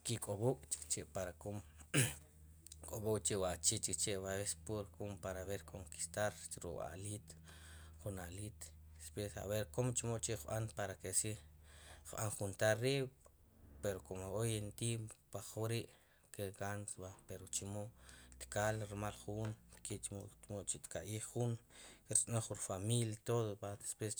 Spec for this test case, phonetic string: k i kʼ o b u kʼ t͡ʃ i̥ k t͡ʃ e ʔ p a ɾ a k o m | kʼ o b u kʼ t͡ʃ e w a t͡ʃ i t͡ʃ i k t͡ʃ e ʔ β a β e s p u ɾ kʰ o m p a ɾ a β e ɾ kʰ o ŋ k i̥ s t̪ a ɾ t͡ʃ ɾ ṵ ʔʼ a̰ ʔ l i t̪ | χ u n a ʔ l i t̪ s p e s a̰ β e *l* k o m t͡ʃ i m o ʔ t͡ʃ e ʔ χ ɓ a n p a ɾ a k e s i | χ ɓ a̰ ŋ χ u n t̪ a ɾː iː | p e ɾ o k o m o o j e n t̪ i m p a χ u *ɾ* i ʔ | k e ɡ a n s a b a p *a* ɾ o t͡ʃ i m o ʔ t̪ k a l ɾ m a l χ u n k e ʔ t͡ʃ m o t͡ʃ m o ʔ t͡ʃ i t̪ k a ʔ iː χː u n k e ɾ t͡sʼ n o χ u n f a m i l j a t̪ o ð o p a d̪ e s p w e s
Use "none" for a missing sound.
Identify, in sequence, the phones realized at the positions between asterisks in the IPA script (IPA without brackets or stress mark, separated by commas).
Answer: ɾ, ɾ, e